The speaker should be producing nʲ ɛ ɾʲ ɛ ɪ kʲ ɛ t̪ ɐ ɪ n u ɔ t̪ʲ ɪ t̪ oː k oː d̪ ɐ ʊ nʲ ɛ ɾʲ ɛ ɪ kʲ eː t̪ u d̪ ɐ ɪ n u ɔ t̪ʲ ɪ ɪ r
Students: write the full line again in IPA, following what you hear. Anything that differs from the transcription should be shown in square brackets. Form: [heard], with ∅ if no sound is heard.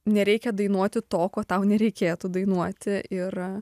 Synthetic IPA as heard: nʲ ɛ ɾʲ ɛ ɪ kʲ ɛ [d̪] ɐ ɪ n u ɔ t̪ʲ ɪ t̪ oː k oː [t̪] ɐ ʊ nʲ ɛ ɾʲ ɛ ɪ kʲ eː t̪ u d̪ ɐ ɪ n u ɔ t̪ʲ ɪ ɪ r